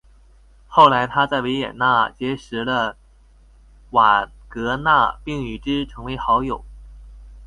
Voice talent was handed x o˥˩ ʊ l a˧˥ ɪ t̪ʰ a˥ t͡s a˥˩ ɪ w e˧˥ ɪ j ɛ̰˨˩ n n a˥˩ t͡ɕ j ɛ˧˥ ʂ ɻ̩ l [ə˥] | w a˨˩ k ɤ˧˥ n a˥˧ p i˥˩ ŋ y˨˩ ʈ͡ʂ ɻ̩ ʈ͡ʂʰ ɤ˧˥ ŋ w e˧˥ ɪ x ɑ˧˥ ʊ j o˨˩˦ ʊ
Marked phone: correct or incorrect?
incorrect